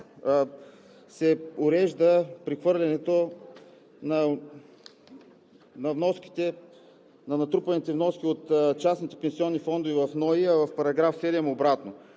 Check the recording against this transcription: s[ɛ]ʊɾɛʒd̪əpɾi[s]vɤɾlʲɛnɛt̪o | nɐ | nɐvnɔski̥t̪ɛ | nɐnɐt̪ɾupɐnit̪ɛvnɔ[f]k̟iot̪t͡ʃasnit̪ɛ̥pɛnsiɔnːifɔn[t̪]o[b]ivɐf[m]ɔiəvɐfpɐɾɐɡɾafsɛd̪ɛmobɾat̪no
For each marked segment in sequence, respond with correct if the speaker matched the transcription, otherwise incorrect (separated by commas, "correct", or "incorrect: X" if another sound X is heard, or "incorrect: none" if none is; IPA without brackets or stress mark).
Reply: correct, incorrect: x, incorrect: s, incorrect: d̪, incorrect: v, incorrect: n